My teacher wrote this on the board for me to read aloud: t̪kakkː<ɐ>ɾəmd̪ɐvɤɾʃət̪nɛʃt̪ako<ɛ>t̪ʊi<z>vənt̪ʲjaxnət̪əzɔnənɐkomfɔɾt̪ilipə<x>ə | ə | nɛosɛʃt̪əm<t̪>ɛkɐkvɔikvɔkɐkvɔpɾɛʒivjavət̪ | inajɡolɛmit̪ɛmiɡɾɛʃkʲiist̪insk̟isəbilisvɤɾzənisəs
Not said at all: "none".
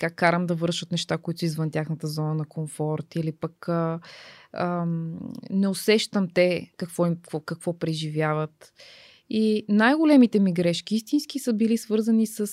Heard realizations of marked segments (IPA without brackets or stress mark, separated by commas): a, i, z, k, t̪